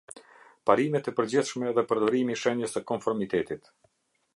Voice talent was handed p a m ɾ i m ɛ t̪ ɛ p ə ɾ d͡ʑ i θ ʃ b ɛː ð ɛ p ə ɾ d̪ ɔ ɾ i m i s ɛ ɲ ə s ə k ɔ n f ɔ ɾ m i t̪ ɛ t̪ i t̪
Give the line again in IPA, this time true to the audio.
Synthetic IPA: p a ɾ i m ɛ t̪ ɛ p ə ɾ d͡ʑ i θ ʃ m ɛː ð ɛ p ə ɾ d̪ ɔ ɾ i m i ʃ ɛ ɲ ə s ə k ɔ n f ɔ ɾ m i t̪ ɛ t̪ i t̪